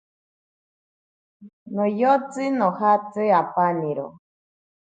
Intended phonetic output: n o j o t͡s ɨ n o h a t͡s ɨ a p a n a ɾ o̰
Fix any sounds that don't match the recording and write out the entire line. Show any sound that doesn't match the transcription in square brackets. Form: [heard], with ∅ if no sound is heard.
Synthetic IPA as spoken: n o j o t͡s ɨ n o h a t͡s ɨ a p a n [i] ɾ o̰